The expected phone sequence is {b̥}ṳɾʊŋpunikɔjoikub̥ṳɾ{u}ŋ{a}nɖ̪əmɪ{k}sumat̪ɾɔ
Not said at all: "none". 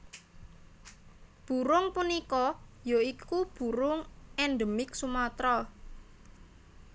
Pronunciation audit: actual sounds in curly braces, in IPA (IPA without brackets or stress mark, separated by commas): b̥, ʊ, ɛ, k